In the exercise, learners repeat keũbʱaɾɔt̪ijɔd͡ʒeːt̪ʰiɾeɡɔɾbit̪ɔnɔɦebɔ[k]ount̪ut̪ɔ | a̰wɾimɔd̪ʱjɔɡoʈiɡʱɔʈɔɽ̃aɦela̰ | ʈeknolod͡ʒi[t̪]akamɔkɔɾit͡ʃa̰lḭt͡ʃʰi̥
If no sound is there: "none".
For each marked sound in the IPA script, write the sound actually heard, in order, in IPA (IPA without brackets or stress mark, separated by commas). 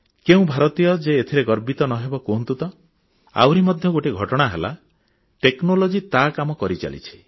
k, t̪